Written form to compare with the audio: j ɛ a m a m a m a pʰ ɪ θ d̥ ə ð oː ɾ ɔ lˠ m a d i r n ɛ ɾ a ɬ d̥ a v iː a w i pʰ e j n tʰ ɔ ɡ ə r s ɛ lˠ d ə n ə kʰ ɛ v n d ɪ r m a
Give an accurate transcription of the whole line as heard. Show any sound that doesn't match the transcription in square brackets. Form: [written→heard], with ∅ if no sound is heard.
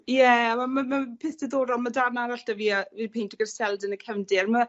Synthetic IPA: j ɛ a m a m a m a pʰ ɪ θ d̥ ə ð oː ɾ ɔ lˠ m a d [i→a] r n [ɛ→a] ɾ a ɬ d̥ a v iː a [w→v] i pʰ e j n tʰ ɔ ɡ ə r s ɛ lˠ d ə n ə kʰ ɛ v n d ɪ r m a